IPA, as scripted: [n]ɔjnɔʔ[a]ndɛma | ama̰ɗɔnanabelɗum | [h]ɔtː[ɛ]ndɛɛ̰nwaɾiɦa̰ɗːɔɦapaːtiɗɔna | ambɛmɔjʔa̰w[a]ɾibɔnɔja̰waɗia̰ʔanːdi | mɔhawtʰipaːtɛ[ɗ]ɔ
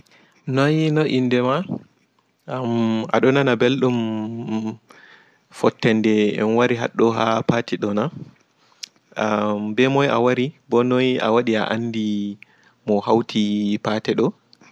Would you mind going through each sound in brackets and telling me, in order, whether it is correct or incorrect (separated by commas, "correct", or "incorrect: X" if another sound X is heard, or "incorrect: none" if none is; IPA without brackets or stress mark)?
correct, incorrect: i, incorrect: f, correct, correct, correct